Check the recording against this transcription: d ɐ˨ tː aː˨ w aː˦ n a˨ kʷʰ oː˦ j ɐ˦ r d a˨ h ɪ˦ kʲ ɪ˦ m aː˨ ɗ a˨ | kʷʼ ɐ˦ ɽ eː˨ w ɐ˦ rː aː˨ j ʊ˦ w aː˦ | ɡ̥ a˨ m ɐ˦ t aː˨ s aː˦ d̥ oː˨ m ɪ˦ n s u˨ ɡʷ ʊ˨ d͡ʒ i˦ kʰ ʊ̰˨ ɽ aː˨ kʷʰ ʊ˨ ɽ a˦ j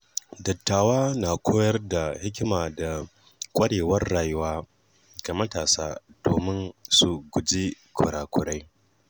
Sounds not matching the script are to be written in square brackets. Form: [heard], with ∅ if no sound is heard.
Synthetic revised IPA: d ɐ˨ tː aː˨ w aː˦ n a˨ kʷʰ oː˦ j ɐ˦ r d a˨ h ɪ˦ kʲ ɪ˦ m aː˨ [d] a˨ | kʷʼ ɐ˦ ɽ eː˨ w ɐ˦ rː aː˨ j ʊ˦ w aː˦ | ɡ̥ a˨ m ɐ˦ t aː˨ s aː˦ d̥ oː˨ m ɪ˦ n s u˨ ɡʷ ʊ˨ d͡ʒ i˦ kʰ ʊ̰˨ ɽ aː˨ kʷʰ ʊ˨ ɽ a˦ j

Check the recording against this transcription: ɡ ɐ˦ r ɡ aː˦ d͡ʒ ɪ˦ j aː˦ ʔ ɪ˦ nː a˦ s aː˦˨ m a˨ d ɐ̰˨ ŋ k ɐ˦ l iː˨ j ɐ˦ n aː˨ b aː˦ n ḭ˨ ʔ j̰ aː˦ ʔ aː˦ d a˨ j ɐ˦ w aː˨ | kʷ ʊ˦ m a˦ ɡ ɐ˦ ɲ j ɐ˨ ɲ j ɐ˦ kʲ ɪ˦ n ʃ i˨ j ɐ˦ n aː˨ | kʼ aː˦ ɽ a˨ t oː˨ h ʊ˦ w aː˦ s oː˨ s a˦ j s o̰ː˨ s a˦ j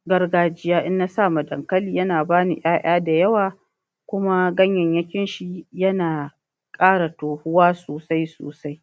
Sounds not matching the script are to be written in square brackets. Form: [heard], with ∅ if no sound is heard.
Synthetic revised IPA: ɡ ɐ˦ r ɡ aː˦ d͡ʒ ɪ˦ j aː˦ ʔ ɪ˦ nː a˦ s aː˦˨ m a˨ d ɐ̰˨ ŋ k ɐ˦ l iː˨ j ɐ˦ n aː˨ b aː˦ n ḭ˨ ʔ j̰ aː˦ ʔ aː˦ d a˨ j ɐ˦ w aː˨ | kʷ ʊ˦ m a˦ ɡ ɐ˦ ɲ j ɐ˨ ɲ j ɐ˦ kʲ ɪ˦ n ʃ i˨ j ɐ˦ n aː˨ | kʼ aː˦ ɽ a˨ t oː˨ h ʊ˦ w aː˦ s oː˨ s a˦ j s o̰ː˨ s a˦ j

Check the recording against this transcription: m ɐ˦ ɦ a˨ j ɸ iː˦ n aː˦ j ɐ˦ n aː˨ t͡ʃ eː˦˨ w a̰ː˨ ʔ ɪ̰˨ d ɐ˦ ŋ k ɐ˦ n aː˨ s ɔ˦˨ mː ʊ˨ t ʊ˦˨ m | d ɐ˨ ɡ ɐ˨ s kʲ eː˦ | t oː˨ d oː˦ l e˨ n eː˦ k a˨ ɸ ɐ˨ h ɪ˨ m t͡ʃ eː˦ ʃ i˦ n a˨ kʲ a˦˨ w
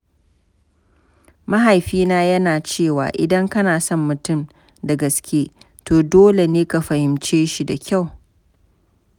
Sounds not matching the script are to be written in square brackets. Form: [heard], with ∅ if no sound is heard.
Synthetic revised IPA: m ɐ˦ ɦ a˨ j ɸ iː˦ n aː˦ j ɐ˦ n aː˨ t͡ʃ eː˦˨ w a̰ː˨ ʔ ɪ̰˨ d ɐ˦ ŋ k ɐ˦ n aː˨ s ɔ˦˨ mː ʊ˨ t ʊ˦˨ m | d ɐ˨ ɡ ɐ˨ s kʲ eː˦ | t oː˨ d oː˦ l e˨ n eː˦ k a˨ ɸ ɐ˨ h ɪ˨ m t͡ʃ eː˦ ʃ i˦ [d] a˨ kʲ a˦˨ w

